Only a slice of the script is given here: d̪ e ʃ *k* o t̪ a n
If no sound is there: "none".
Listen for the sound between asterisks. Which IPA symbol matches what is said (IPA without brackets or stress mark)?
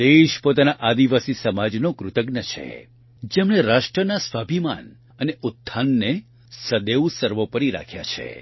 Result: p